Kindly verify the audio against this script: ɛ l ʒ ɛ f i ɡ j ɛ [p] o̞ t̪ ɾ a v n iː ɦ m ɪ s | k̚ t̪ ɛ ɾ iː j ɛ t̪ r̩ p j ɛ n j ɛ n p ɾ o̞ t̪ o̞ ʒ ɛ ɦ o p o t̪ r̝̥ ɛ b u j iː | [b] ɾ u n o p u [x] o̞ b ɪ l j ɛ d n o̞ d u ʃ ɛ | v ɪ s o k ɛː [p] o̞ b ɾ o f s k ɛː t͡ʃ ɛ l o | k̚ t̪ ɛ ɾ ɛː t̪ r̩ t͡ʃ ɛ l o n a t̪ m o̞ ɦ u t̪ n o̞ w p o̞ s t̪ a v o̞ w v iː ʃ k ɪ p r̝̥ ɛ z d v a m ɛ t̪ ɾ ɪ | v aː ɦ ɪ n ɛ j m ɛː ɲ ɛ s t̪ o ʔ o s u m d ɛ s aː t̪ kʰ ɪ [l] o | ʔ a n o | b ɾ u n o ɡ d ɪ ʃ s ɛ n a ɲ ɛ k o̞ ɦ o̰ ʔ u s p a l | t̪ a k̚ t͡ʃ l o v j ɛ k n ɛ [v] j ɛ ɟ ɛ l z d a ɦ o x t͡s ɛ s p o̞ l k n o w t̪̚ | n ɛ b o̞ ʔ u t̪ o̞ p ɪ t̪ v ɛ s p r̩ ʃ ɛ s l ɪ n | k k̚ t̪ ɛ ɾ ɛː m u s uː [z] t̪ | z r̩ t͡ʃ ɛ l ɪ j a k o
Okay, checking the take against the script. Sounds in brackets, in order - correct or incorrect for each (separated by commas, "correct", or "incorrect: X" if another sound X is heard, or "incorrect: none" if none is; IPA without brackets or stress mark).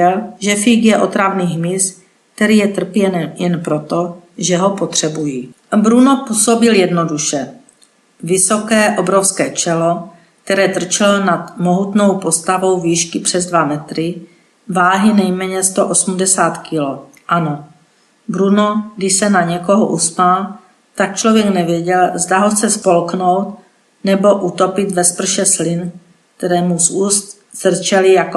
incorrect: ʔ, correct, incorrect: s, incorrect: ʔ, correct, correct, incorrect: s